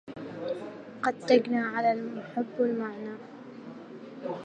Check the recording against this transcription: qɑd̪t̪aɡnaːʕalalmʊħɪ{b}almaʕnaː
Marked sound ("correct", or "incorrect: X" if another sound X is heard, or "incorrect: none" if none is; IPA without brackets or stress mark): incorrect: bː